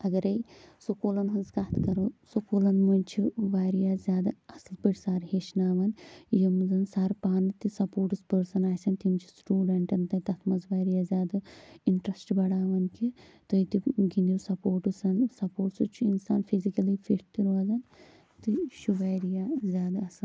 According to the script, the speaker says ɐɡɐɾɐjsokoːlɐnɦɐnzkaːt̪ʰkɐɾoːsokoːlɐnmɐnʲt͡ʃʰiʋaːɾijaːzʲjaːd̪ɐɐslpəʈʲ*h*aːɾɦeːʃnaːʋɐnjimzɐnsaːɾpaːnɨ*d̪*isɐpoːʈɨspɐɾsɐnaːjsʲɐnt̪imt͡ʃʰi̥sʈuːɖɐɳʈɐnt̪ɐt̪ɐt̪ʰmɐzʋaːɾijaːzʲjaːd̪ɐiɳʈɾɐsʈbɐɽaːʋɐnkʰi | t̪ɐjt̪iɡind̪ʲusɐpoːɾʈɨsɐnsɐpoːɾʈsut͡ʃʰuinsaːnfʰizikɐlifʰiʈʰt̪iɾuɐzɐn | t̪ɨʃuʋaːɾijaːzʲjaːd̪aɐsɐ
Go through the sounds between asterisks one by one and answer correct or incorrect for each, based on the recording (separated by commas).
incorrect, incorrect